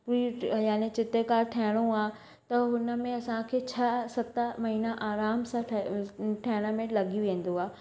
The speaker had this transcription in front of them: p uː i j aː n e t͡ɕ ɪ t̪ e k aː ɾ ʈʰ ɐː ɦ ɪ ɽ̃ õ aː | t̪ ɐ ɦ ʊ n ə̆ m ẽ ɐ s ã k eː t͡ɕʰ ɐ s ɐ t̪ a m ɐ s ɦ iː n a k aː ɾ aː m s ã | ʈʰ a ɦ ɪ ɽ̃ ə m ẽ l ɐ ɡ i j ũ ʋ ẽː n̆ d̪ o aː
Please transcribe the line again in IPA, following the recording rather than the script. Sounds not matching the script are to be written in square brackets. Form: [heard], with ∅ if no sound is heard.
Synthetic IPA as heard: p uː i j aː n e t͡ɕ ɪ t̪ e k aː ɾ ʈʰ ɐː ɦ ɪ ɽ̃ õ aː | t̪ ɐ ɦ ʊ n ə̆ m ẽ ɐ s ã [kʰ] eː t͡ɕʰ ɐ s ɐ t̪ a m ɐ [∅] ɦ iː n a [ʔ] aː ɾ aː m s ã | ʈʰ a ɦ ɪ ɽ̃ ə m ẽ l ɐ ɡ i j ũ ʋ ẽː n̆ d̪ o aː

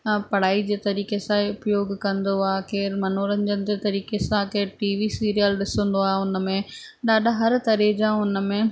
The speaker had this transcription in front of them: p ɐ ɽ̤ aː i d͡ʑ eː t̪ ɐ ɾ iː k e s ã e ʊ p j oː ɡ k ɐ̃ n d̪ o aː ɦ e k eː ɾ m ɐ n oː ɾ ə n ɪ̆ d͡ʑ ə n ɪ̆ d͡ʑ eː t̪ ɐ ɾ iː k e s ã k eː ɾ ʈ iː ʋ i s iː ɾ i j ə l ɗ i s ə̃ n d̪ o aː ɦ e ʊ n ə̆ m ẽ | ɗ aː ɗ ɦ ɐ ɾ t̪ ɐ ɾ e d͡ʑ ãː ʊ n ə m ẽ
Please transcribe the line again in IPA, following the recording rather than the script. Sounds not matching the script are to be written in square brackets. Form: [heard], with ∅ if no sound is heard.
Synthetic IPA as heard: p ɐ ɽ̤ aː i d͡ʑ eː t̪ ɐ ɾ iː k e s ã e ʊ p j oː ɡ k ɐ̃ n d̪ o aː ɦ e k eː ɾ m ɐ n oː ɾ ə n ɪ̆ d͡ʑ ə n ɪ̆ d͡ʑ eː t̪ ɐ ɾ iː k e s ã k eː ɾ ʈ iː ʋ i s iː ɾ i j ə l ɗ [ɪ] s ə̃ n d̪ o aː ɦ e ʊ n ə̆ m ẽ | ɗ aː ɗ ɦ ɐ ɾ t̪ ɐ ɾ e d͡ʑ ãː ʊ n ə m ẽ

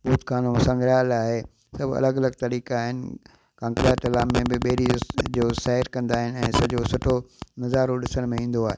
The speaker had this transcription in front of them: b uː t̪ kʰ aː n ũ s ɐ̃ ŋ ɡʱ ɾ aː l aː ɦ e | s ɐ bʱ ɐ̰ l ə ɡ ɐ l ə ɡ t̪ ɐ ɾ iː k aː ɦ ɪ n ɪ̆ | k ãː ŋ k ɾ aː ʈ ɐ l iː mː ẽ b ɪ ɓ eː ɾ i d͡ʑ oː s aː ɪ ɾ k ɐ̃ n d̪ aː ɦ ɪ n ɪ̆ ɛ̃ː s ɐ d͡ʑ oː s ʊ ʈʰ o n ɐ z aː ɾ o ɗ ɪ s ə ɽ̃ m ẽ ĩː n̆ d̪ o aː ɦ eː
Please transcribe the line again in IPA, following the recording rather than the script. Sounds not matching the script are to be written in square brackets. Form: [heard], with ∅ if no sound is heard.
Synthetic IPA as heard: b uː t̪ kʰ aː n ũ s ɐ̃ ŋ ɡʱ ɾ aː l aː ɦ e | s ɐ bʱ ɐ̰ l ə ɡ ɐ l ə ɡ t̪ ɐ ɾ iː k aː ɦ ɪ n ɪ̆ | k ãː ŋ k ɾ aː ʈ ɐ l [aː] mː ẽ b ɪ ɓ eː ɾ i d͡ʑ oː s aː ɪ ɾ k ɐ̃ n d̪ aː ɦ ɪ n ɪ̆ ɛ̃ː s ɐ d͡ʑ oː s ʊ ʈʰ o n ɐ z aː ɾ o ɗ ɪ s ə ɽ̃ m ẽ ĩː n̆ d̪ o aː ɦ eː

